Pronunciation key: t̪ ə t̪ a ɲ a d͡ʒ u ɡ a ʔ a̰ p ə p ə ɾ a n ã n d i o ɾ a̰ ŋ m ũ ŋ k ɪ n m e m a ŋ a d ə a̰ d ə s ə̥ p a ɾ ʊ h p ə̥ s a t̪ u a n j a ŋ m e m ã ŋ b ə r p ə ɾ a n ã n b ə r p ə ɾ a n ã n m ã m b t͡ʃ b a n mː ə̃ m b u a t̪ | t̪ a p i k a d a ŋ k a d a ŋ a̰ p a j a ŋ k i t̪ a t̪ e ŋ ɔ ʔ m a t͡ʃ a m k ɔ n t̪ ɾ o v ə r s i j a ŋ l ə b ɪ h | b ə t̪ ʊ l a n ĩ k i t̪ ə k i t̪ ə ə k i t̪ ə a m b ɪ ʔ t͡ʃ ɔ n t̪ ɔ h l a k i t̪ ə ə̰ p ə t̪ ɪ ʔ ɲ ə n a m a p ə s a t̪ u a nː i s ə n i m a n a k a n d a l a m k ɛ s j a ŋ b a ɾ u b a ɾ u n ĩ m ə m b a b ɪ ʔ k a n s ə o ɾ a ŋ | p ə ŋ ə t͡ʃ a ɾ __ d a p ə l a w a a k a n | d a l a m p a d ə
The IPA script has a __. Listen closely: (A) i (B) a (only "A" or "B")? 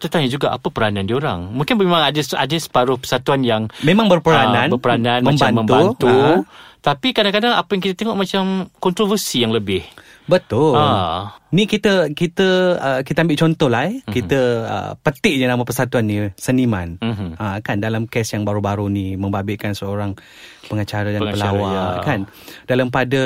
B